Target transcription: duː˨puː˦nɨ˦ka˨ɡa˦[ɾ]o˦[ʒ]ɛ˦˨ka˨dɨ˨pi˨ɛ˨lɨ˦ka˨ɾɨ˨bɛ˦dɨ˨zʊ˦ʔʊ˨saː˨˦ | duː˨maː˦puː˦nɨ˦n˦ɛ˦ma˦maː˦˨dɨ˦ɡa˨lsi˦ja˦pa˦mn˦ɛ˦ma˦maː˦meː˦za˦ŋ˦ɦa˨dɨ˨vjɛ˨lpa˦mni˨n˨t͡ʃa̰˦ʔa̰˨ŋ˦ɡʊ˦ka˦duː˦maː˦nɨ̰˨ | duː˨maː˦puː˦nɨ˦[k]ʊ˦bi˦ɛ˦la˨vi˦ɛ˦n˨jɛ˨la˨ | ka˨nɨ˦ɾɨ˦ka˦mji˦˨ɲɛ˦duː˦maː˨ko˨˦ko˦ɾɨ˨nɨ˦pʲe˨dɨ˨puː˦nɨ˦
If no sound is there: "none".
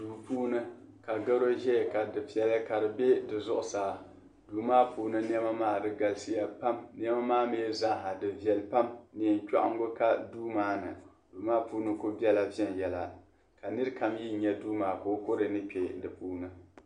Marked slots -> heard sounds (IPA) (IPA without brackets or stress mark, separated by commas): ɾ, ʒ, k